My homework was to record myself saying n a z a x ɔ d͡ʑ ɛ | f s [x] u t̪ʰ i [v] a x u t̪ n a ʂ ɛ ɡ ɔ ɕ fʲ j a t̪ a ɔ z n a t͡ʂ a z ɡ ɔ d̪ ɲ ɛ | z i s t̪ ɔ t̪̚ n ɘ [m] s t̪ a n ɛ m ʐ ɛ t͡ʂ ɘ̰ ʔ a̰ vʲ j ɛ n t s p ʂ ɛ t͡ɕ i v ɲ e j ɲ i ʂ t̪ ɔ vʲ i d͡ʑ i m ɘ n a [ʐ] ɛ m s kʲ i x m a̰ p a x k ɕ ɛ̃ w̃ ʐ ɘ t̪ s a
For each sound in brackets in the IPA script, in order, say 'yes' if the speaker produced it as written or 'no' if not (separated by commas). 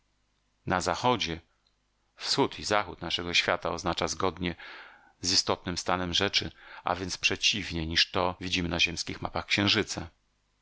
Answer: yes, no, yes, no